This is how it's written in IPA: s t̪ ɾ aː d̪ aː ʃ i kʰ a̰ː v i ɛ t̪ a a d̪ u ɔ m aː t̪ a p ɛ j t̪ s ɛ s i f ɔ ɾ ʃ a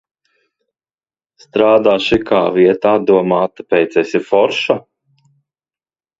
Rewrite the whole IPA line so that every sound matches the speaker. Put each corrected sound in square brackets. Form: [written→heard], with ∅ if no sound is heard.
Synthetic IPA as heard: s t̪ ɾ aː d̪ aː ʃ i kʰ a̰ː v i ɛ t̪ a a d̪ u ɔ m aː t̪ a p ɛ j t̪ s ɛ s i f ɔ ɾ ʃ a